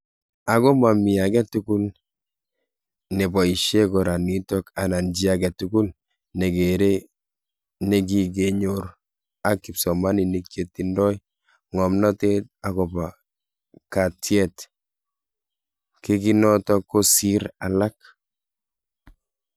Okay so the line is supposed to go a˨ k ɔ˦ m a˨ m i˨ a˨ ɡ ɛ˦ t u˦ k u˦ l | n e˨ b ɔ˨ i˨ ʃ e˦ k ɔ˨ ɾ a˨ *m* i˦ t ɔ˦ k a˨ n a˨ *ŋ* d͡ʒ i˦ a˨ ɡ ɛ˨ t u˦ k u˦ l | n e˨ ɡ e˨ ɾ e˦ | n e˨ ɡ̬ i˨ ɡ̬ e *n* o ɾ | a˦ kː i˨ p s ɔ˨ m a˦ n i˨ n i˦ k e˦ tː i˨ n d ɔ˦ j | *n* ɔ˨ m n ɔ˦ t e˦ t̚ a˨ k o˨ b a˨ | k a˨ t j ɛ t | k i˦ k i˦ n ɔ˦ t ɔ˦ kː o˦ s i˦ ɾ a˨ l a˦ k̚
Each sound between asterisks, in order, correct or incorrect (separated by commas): incorrect, incorrect, incorrect, incorrect